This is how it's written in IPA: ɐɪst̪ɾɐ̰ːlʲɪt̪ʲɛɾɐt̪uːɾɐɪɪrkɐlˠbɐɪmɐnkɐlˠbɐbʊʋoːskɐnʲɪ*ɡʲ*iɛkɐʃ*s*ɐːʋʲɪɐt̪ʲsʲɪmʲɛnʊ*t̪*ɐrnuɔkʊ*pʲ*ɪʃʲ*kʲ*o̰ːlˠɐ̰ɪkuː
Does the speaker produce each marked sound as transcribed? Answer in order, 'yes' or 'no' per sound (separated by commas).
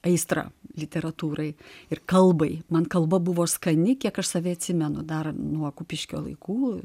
no, yes, no, yes, yes